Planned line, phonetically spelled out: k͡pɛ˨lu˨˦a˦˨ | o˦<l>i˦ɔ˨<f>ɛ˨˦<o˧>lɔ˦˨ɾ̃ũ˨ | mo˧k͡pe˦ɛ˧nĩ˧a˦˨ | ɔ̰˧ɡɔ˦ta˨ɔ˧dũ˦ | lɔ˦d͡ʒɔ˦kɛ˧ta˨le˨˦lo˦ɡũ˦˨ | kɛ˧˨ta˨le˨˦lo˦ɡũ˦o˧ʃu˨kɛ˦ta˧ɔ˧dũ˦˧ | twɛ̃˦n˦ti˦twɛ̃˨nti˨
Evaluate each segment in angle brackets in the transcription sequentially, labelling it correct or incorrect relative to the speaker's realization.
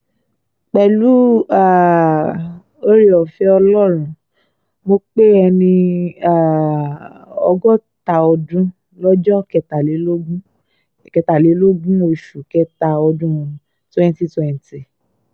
incorrect: ɾ, correct, incorrect: ɔ˧

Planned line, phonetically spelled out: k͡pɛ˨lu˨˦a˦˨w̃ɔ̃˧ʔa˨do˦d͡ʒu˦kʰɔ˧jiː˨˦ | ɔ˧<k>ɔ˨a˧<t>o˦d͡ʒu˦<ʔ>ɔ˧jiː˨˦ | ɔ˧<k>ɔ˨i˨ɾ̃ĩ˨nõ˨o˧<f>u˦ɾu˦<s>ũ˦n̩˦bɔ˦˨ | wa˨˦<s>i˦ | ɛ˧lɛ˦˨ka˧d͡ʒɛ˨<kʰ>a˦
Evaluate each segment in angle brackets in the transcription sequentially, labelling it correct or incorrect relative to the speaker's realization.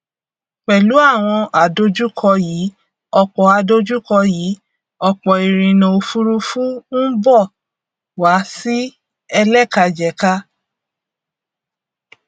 incorrect: k͡p, incorrect: d, incorrect: k, incorrect: k͡p, correct, incorrect: f, correct, incorrect: k

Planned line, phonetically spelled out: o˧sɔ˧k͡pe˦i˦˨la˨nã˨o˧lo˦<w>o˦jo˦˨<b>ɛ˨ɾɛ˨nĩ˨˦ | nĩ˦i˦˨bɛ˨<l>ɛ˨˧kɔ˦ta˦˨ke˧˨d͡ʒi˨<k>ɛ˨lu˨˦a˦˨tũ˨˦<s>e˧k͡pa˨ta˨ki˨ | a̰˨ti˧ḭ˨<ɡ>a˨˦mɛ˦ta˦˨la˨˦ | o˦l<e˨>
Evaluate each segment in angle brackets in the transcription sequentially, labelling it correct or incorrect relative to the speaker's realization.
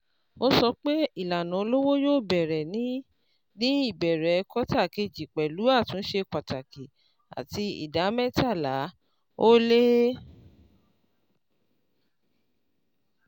correct, correct, incorrect: ɾ, incorrect: k͡p, incorrect: ʃ, incorrect: d, incorrect: e˦

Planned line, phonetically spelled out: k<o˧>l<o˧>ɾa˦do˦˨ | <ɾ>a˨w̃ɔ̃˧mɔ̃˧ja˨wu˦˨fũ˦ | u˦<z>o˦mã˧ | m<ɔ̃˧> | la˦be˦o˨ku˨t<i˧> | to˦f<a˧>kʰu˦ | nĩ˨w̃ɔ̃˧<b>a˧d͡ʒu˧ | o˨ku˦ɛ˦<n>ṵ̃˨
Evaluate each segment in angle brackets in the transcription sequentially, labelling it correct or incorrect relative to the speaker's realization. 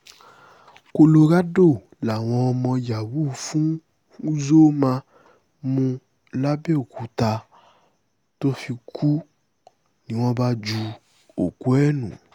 correct, correct, incorrect: l, correct, incorrect: ũ˧, incorrect: a˧, incorrect: i˧, correct, correct

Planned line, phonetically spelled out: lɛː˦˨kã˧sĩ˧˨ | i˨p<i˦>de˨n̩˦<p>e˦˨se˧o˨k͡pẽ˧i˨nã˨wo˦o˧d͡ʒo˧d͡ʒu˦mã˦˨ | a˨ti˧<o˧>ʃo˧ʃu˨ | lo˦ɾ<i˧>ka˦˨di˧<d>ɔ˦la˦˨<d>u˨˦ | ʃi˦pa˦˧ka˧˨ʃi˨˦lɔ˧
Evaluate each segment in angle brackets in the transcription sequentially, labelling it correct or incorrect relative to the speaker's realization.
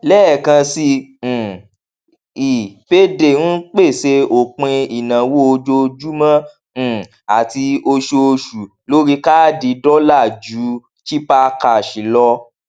incorrect: e˦, incorrect: k͡p, correct, correct, correct, incorrect: d͡ʒ

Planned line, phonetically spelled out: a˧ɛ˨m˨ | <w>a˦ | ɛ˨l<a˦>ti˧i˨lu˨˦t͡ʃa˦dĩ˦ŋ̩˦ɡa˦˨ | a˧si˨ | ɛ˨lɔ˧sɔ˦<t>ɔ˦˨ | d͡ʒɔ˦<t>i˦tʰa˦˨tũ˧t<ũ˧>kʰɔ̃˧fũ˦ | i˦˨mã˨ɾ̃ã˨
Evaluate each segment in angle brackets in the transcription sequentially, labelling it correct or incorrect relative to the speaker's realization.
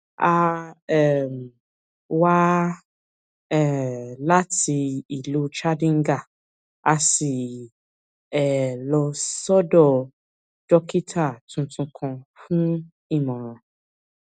correct, correct, incorrect: d, incorrect: k, correct

